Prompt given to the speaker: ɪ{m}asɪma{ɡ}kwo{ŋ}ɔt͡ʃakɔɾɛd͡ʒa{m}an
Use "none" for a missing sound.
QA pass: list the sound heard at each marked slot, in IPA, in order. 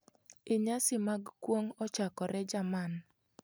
ɲ, ɡ, ŋ, m

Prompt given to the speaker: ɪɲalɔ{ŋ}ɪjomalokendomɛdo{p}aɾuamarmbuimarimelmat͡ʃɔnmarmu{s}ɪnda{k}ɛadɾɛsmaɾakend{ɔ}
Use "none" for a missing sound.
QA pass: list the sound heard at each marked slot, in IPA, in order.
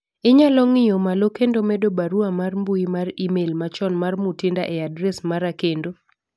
ŋ, b, t, ʔ, o

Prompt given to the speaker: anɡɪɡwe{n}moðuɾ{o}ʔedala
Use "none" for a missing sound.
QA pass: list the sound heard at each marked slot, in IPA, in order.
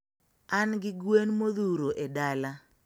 n, o

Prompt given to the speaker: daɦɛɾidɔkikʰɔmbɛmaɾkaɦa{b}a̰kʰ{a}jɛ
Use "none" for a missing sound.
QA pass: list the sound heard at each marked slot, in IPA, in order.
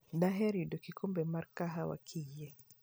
w, i

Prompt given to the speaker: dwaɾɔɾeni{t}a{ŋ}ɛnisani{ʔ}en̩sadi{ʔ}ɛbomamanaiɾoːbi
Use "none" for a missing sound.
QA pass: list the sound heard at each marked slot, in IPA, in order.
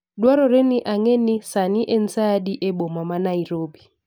ʔ, ŋ, ʔ, ʔ

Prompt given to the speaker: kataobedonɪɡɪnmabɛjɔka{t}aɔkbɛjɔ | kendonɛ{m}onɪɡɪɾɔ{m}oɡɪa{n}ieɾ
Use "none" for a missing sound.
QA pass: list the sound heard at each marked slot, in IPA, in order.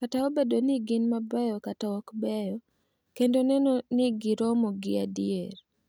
t, n, m, d

